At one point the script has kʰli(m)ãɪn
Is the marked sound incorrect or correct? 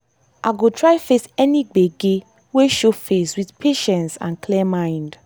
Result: correct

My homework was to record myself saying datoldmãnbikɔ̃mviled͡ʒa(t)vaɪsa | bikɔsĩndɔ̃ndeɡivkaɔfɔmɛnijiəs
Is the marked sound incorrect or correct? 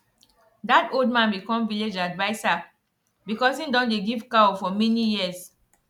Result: incorrect: d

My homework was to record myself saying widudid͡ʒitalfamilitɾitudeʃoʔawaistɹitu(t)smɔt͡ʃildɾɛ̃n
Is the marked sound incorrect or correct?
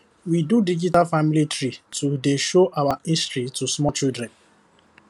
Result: incorrect: none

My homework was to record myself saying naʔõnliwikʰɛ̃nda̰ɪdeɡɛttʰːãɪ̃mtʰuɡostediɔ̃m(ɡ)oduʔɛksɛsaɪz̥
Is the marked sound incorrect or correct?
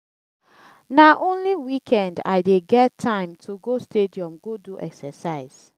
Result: correct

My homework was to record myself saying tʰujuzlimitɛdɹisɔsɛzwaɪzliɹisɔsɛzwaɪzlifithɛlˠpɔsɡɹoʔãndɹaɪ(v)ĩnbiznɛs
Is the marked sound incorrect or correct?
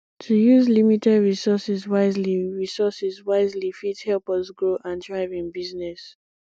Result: correct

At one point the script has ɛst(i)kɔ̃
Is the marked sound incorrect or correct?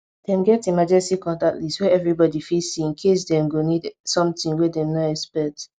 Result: correct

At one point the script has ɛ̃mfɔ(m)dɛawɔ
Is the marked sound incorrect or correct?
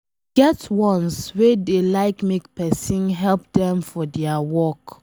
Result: incorrect: none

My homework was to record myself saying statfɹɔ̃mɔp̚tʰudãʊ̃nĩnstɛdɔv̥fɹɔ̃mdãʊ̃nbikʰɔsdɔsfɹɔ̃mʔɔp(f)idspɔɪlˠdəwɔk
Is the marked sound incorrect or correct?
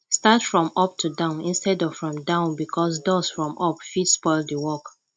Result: correct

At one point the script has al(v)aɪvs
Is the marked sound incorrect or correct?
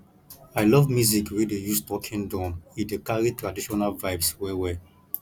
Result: correct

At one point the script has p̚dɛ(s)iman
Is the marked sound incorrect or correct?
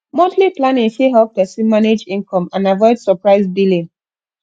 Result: correct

